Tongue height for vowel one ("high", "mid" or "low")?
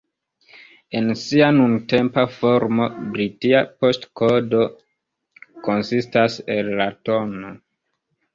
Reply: mid